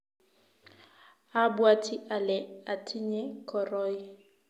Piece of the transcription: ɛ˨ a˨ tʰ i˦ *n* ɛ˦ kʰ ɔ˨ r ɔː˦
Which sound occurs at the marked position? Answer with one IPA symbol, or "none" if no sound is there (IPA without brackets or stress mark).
ɲ